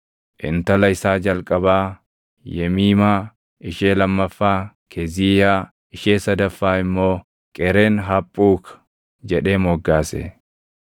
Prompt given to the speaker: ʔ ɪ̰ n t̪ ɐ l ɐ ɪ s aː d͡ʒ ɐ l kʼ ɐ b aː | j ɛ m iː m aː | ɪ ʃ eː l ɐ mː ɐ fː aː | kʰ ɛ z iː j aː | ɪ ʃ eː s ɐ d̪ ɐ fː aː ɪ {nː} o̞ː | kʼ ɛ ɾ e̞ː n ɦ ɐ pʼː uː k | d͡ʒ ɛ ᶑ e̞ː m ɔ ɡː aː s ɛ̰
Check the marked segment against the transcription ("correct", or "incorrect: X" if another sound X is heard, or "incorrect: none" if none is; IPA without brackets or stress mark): incorrect: mː